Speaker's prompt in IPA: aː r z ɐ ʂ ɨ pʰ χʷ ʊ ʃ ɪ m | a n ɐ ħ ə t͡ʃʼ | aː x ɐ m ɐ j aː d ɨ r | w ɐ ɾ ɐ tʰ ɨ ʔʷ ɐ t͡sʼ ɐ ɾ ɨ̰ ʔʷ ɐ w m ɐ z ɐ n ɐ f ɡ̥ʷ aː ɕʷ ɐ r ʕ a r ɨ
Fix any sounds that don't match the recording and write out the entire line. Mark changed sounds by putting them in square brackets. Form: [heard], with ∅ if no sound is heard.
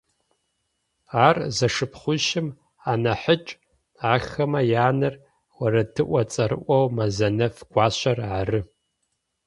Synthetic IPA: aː r z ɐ ʂ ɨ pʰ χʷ ʊ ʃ ɪ m | a n ɐ ħ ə t͡ʃʼ | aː x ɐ m ɐ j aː [n] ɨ r | w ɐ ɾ ɐ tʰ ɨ ʔʷ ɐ t͡sʼ ɐ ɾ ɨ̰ ʔʷ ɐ w m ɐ z ɐ n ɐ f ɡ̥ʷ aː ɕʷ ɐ r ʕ a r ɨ

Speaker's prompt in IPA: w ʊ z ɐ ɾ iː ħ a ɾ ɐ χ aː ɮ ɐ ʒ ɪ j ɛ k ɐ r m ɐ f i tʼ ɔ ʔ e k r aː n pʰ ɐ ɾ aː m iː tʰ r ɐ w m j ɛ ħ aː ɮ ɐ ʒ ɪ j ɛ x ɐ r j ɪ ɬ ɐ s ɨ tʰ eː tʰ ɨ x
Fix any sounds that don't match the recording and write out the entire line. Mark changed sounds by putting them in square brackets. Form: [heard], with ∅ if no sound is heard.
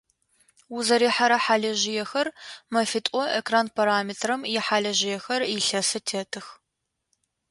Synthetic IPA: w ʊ z ɐ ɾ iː ħ a ɾ ɐ [ħ] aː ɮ ɐ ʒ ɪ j ɛ [x] ɐ r m ɐ f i tʼ ɔ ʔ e k r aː n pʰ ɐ ɾ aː m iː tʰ r ɐ [∅] m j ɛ ħ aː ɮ ɐ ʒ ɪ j ɛ x ɐ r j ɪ ɬ ɐ s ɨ tʰ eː tʰ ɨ x

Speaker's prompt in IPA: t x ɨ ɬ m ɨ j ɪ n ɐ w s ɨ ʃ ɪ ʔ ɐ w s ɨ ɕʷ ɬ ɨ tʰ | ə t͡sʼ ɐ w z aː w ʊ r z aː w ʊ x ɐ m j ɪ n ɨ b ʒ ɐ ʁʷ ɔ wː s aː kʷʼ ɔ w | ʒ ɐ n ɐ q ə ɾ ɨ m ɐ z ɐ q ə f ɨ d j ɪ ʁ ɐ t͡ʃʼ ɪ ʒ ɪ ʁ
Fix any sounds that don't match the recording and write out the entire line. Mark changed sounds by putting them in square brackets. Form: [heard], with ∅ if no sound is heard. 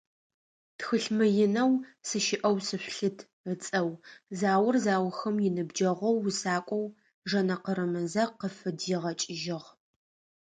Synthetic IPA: t x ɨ ɬ m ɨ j ɪ n ɐ w s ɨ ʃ ɪ ʔ ɐ w s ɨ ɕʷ ɬ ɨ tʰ | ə t͡sʼ ɐ w z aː w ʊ r z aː w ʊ x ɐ m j ɪ n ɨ b [d͡ʒ] ɐ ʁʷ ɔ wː s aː kʷʼ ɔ w | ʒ ɐ n ɐ q ə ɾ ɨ m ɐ z ɐ q ə f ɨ d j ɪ ʁ ɐ t͡ʃʼ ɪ ʒ ɪ ʁ

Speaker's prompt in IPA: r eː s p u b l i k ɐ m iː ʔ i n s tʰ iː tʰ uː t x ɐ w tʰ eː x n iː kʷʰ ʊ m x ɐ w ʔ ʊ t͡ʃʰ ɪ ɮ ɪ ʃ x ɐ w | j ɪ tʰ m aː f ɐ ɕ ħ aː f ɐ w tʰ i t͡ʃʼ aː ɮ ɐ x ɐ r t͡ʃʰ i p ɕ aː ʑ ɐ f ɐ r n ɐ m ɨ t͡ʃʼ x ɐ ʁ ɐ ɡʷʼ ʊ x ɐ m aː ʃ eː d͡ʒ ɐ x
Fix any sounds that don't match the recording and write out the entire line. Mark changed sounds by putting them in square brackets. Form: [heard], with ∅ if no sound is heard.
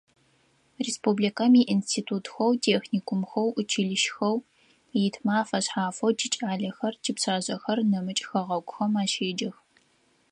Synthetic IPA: r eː s p u b l i k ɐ m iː ʔ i n s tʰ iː tʰ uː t x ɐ w tʰ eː x n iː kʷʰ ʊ m x ɐ w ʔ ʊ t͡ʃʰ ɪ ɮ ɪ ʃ x ɐ w | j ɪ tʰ m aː f ɐ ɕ ħ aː f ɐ w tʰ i t͡ʃʼ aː ɮ ɐ x ɐ r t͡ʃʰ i p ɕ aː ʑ ɐ [x] ɐ r n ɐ m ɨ t͡ʃʼ x ɐ ʁ ɐ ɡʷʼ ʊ x ɐ m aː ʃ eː d͡ʒ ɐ x

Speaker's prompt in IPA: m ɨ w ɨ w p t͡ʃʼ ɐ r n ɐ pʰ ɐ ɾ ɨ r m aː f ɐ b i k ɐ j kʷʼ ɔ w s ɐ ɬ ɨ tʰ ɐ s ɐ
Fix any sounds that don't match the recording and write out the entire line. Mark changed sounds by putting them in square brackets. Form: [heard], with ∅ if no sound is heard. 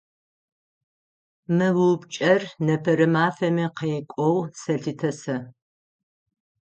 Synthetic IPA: m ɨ w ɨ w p t͡ʃʼ ɐ r n ɐ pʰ ɐ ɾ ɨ [∅] m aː f ɐ [m] i [q] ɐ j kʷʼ ɔ w s ɐ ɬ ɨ tʰ ɐ s ɐ

